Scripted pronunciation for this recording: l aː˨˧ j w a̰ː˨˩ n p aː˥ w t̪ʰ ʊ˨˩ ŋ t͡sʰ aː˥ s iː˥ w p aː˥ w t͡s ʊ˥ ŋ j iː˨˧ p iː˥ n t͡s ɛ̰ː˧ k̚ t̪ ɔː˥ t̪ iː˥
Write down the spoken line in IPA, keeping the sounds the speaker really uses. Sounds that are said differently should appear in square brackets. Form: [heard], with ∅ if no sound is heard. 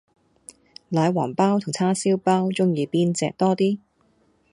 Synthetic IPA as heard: l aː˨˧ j w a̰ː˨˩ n p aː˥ w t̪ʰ ʊ˨˩ ŋ t͡sʰ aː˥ s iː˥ w p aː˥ w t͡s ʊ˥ ŋ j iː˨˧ p iː˥ n t͡s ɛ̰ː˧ k̚ t̪ ɔː˥ t̪ iː˥